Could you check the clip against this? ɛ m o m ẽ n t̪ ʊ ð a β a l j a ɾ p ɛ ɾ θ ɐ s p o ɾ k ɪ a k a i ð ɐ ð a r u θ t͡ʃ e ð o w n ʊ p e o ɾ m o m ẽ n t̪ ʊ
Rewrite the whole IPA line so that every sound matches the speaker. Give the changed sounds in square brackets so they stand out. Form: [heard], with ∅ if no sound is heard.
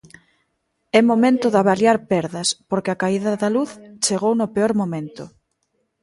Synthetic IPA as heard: ɛ m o m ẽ n t̪ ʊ ð a β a l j a ɾ p ɛ ɾ [ð] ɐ s p o ɾ k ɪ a k a i ð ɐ ð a [l] u θ t͡ʃ e [ɣ] o w n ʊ p e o ɾ m o m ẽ n t̪ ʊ